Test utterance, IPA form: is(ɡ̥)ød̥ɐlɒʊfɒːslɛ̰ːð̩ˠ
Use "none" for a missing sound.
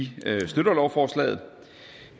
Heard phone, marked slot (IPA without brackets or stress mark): d̥